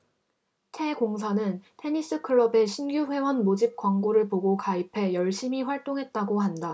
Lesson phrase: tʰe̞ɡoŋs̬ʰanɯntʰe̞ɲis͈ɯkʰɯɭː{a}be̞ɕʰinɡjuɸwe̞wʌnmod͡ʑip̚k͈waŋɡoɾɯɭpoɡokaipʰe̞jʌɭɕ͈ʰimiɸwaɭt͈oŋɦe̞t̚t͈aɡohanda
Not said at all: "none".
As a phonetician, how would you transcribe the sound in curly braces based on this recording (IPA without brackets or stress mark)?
ʌ